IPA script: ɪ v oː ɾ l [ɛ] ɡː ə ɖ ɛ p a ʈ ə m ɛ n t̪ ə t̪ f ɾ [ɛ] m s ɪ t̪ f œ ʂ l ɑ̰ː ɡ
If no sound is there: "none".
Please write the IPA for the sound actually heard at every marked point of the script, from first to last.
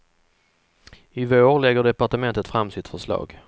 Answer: ɛ, a

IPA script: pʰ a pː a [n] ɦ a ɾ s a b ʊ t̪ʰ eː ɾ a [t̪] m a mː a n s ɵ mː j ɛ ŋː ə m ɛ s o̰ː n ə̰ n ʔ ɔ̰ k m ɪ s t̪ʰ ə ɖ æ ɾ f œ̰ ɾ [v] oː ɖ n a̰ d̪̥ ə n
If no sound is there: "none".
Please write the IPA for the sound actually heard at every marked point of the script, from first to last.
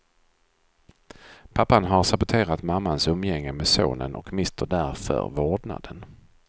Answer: n, t̪, v

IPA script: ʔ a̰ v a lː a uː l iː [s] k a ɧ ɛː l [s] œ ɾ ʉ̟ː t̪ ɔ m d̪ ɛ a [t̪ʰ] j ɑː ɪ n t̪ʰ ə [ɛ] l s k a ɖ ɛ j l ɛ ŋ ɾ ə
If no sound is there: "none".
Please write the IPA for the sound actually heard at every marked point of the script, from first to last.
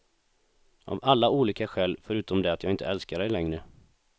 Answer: none, f, t̪, ɛ

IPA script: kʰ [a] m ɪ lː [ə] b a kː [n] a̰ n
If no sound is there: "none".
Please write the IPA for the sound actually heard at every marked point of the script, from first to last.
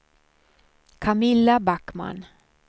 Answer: a, a, m

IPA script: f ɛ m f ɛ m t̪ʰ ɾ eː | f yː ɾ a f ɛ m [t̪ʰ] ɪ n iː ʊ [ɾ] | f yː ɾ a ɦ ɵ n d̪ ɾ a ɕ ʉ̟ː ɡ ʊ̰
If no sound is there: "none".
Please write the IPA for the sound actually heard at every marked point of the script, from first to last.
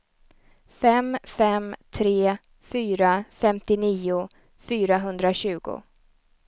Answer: t̪, none

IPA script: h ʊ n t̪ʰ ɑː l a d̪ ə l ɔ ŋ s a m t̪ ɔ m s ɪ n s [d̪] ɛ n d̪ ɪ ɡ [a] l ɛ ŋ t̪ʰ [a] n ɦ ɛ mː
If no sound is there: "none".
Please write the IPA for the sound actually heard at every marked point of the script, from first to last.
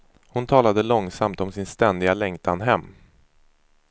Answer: t̪, a, a

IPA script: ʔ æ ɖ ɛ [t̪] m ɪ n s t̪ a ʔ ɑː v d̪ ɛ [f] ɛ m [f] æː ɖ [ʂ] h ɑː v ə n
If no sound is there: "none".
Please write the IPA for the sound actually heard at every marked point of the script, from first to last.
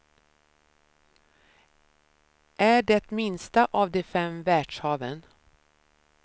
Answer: t̪, f, v, ʂ

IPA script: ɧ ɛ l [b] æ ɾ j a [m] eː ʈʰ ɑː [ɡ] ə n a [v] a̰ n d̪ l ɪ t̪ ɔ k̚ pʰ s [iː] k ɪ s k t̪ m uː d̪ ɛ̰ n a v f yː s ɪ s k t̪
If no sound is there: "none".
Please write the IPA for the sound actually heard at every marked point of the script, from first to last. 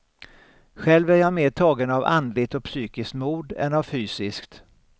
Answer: v, m, ɡ, v, yː

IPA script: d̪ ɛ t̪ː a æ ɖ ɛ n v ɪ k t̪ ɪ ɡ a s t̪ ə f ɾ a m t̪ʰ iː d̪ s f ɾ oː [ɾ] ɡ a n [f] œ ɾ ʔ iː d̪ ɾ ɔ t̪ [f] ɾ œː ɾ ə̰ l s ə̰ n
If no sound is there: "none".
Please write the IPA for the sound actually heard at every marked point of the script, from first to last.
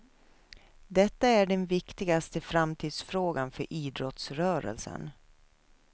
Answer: none, f, s

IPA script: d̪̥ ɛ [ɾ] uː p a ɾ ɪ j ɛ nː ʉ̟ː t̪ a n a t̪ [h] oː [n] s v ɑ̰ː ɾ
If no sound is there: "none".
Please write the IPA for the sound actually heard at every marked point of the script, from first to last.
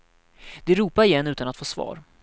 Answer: ɾ, f, none

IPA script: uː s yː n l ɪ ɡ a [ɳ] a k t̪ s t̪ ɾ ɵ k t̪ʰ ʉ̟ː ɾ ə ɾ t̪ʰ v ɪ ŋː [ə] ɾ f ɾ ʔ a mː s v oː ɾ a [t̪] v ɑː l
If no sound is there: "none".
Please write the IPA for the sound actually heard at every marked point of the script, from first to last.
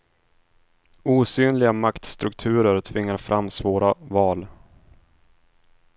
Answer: m, a, none

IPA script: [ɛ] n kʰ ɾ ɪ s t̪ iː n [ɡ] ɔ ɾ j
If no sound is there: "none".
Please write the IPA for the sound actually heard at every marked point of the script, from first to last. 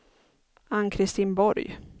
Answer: a, b

